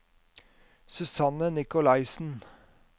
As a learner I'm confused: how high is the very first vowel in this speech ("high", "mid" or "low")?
high